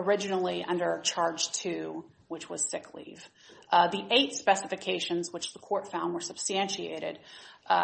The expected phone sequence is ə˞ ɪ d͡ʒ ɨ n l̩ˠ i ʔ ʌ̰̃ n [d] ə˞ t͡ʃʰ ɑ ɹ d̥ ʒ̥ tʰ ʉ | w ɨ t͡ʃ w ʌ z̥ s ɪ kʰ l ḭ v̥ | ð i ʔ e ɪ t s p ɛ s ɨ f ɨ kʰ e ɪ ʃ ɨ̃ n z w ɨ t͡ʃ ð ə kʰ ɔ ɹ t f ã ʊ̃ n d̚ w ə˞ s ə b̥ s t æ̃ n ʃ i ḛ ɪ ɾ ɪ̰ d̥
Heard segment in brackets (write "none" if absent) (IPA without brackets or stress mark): d